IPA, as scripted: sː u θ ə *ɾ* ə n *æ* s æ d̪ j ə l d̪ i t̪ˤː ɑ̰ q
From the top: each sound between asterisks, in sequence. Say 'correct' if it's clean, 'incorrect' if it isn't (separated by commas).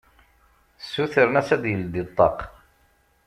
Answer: correct, correct